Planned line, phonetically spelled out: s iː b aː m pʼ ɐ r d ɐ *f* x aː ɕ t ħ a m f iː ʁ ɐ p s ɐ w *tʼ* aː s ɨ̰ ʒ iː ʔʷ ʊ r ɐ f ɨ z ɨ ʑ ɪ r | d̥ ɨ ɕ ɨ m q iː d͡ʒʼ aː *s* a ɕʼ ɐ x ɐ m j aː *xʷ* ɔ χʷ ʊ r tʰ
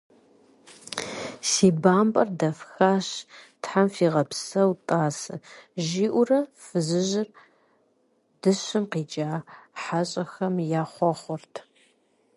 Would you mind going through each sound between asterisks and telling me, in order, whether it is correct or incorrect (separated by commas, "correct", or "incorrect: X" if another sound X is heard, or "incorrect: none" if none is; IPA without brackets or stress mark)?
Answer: correct, correct, incorrect: ħ, incorrect: χʷ